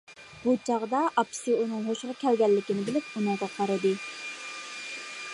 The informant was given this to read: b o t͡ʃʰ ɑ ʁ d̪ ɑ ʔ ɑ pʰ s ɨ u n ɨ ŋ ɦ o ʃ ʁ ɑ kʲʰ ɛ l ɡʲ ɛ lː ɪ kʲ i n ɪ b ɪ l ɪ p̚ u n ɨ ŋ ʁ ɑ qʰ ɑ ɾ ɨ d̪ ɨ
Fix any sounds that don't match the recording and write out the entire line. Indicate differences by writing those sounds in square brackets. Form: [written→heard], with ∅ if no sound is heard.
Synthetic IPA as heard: b [o→u] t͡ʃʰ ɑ ʁ d̪ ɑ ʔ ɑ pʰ s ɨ u n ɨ ŋ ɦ o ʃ ʁ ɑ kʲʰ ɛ l ɡʲ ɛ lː ɪ kʲ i n ɪ b ɪ l ɪ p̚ u n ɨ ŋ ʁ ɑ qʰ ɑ ɾ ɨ d̪ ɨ